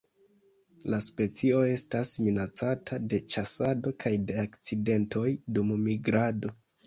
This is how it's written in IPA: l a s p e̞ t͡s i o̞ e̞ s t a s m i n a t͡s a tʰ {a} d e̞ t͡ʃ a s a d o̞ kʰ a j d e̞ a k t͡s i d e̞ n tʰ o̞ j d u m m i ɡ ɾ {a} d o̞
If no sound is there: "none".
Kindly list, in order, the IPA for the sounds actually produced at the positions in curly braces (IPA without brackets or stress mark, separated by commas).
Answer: a, a